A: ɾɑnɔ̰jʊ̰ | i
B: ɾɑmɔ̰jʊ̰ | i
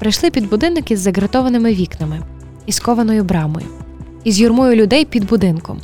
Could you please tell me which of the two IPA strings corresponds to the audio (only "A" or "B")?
B